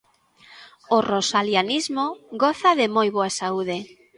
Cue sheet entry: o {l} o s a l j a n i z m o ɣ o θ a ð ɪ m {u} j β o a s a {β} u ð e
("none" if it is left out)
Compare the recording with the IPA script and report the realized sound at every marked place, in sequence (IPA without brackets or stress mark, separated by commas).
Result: r, o, none